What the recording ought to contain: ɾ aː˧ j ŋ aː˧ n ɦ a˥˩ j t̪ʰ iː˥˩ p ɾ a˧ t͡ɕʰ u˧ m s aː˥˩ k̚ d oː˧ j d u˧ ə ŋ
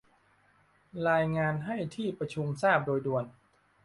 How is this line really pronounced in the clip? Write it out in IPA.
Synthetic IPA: ɾ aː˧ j ŋ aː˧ n ɦ a˥˩ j t̪ʰ iː˥˩ p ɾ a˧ t͡ɕʰ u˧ m s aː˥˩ p̚ d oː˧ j d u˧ ə n